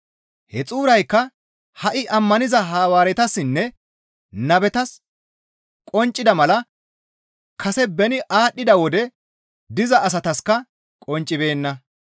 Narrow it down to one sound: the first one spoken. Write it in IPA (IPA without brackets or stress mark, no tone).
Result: h